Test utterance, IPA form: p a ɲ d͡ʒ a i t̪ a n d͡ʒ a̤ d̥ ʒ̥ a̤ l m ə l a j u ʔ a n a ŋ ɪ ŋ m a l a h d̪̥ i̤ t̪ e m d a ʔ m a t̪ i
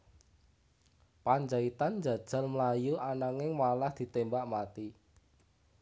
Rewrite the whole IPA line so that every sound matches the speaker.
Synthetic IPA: p a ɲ d͡ʒ a i t̪ a n d͡ʒ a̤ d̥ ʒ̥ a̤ l m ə l a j u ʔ a n a ŋ ɪ ŋ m a l a h d̪̥ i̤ t̪ e m b a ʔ m a t̪ i

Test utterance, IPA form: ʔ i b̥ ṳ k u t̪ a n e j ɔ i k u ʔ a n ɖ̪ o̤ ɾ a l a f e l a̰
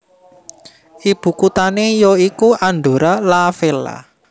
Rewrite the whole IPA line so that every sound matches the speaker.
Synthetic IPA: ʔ i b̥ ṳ k u t̪ a n e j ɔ i k u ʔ a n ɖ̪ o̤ ɾ a l a f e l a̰

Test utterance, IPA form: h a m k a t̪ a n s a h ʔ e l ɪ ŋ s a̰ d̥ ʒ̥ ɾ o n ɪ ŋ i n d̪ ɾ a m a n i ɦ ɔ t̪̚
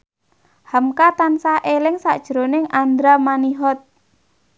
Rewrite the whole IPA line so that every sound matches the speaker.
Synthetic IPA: h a m k a t̪ a n s a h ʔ e l ɪ ŋ s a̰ d̥ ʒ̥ ɾ o n ɪ ŋ a n d̪ ɾ a m a n i ɦ ɔ t̪̚

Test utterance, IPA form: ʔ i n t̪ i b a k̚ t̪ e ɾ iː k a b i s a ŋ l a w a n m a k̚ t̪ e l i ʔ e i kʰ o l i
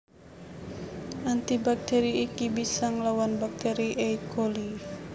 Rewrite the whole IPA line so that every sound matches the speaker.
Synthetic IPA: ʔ a n t̪ i b a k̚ t̪ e ɾ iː k i b i s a ŋ l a w a n b a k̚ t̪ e ɾ i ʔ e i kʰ o l i

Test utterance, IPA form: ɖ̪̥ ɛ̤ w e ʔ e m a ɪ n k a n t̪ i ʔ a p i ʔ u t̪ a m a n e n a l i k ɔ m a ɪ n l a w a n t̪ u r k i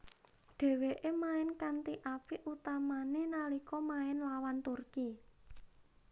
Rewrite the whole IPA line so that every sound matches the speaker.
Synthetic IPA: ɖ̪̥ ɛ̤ w e ʔ e m a ɪ n k a n t̪ i ʔ a p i ʔ u t̪ a m a n e n a l i k ɔ m a ɪ n l a w a n t̪ u r k i

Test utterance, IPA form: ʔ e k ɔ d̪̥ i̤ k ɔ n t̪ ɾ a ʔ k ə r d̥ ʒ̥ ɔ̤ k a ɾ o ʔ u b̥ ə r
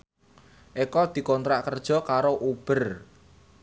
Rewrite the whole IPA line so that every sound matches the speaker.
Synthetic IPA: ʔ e k ɔ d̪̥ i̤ k ɔ n t̪ ɾ a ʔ k ə r d̥ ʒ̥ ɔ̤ k a ɾ o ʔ u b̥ ə r

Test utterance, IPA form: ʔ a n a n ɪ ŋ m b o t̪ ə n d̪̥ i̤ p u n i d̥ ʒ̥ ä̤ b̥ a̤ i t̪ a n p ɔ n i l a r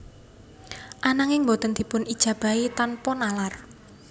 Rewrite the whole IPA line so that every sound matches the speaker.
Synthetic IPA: ʔ a n a ŋ ɪ ŋ m b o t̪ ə n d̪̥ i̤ p ʊ n i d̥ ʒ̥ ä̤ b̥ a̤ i t̪ a n p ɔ n a l a r

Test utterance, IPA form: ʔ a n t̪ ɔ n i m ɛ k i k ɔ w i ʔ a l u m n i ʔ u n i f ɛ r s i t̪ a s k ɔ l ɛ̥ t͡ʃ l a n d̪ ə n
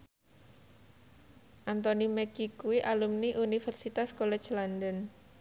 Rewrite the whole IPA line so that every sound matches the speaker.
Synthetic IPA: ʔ a n t̪ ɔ n i m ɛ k i k u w i ʔ a l u m n i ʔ u n i f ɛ r s i t̪ a s k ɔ l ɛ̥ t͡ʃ l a n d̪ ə n

